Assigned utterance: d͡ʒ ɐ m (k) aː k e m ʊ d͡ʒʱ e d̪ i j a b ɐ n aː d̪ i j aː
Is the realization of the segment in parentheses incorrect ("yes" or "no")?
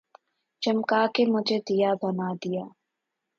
no